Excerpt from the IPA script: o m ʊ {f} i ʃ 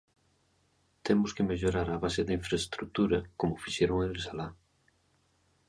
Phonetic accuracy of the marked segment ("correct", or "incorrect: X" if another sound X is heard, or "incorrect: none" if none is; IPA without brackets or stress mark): correct